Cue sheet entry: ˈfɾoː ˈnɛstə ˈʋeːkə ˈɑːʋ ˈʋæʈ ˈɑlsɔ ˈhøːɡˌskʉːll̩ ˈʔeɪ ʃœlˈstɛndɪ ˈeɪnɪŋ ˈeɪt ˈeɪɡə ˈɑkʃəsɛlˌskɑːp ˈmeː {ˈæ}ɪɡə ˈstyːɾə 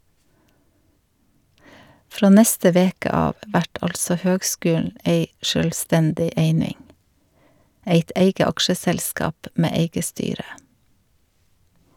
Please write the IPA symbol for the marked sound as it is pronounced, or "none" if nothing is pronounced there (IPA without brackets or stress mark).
e